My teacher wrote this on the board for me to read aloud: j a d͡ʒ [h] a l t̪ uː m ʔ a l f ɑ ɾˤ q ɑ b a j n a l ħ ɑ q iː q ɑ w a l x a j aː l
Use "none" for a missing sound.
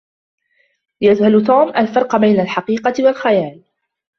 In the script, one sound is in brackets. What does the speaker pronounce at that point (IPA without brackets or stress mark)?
h